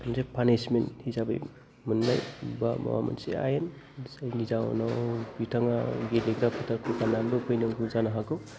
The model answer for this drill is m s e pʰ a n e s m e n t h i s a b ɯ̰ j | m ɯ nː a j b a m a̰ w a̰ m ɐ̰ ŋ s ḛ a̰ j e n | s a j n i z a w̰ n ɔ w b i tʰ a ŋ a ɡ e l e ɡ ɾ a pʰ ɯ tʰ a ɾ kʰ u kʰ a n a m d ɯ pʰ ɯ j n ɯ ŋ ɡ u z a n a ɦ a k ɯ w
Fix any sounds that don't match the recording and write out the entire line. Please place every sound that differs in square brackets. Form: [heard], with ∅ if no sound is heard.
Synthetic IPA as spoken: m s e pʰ a n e s m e n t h i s a b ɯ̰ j | m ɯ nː a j b a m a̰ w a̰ m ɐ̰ [n] s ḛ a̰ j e n | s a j n i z a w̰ n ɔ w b i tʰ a ŋ a ɡ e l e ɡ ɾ a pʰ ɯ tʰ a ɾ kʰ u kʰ a n a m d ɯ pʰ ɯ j n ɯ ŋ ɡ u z a n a ɦ a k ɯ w